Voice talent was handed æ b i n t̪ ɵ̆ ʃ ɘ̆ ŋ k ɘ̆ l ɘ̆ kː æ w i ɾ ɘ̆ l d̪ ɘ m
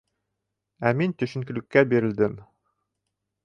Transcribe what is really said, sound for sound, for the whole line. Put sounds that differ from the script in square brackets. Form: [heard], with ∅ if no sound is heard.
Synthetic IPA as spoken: æ [m] i n t̪ ɵ̆ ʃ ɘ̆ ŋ k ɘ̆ l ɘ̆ kː æ [b] i ɾ ɘ̆ l d̪ ɘ m